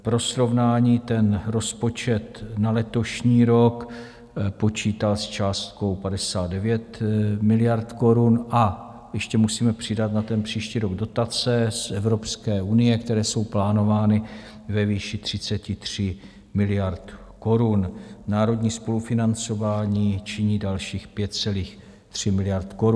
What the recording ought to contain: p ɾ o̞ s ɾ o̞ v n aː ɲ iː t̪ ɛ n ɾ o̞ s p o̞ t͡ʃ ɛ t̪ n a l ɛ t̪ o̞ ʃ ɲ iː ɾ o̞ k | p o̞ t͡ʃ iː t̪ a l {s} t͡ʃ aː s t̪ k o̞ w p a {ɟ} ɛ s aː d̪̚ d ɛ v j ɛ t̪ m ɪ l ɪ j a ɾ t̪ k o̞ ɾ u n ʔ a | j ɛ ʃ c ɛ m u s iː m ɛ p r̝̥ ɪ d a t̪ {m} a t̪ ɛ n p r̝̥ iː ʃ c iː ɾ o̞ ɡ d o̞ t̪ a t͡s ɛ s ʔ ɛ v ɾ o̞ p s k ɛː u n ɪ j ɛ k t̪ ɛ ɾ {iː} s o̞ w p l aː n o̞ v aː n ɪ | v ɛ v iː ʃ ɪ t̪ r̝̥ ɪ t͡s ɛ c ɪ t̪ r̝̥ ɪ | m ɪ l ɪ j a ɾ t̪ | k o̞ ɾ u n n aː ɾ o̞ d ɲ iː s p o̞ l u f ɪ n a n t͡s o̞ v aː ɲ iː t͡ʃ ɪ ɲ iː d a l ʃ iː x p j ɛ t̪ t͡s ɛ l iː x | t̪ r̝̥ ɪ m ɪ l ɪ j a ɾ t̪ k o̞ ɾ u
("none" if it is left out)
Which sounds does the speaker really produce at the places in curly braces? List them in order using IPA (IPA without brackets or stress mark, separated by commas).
s, d, n, ɛː